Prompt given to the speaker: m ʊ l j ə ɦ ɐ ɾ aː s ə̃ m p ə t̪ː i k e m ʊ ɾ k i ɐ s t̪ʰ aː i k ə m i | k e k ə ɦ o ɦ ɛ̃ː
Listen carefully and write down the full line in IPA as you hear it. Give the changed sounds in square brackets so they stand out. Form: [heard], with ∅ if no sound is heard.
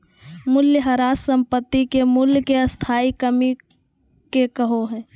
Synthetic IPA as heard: m ʊ l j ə ɦ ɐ ɾ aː s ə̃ m p ə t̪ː i k e m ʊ [l] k [e] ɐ s t̪ʰ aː i k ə m i | k e k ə ɦ o ɦ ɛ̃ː